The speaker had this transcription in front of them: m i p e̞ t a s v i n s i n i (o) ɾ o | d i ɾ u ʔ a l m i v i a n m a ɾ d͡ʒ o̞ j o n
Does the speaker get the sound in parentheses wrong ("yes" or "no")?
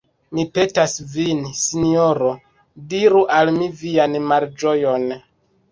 no